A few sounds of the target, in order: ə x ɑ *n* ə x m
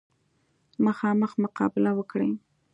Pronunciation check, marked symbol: incorrect: m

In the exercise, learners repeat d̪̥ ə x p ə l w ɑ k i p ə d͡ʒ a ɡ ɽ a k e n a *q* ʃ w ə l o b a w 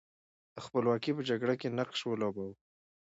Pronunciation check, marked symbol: correct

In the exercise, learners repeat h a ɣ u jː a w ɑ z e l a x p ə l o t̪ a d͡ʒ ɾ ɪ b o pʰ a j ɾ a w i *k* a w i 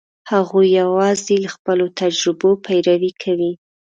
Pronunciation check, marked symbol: incorrect: kʰ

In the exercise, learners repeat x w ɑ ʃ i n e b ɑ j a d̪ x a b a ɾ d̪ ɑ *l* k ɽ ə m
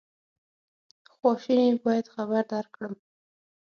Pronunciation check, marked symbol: incorrect: ɾ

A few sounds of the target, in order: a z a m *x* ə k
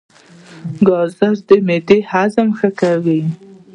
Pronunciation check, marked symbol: correct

